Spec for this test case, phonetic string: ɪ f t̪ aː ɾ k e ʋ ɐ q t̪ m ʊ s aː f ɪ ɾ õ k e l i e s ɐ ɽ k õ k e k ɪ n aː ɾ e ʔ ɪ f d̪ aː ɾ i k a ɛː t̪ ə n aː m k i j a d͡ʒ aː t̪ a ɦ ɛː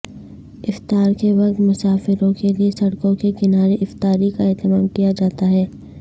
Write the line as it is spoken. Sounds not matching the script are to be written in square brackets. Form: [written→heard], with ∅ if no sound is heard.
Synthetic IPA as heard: ɪ f t̪ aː ɾ k e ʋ ɐ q t̪ m ʊ s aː f ɪ ɾ õ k e l i e s ɐ ɽ k õ k e k ɪ n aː ɾ e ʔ ɪ f [d̪→t̪] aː ɾ i k a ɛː t̪ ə [n→m] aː m k i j a d͡ʒ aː t̪ a ɦ ɛː